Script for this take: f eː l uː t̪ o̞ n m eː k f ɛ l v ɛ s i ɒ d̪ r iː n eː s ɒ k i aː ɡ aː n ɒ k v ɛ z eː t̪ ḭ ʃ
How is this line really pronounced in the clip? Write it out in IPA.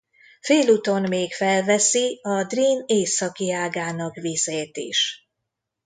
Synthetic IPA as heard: f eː l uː t̪ o̞ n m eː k f ɛ l v ɛ s i ɒ d̪ r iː n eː s ɒ k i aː ɡ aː n ɒ k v i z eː t̪ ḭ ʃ